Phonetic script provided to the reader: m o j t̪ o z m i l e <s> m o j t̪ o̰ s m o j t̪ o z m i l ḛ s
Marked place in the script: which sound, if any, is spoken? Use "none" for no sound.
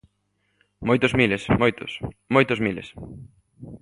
s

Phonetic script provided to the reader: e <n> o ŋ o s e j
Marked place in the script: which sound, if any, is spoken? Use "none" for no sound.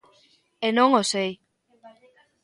n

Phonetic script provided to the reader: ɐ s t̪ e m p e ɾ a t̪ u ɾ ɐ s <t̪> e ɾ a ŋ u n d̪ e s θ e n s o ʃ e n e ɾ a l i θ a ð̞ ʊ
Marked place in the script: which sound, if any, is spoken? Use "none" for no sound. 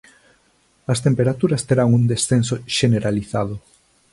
t̪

